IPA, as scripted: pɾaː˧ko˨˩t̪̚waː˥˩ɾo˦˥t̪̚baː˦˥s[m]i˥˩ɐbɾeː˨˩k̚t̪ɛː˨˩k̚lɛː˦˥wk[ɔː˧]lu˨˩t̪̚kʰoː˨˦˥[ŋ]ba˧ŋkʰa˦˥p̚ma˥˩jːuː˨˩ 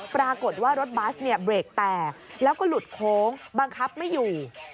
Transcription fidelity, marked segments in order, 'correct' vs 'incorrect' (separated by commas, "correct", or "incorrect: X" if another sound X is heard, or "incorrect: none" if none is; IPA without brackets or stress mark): incorrect: n, incorrect: ɔː˥˩, correct